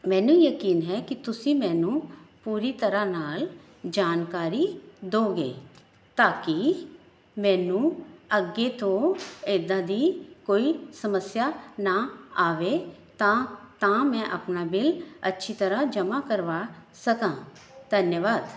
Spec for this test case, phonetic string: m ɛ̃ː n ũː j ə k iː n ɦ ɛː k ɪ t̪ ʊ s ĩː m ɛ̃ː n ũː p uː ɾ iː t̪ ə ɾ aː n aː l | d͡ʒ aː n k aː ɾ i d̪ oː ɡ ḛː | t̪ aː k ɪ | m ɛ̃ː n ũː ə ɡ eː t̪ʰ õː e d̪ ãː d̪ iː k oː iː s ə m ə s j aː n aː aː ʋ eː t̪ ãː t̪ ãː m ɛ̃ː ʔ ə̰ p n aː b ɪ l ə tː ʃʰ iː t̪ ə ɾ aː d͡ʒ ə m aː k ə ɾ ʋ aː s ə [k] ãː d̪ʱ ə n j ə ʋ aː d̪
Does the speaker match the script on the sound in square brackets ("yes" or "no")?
yes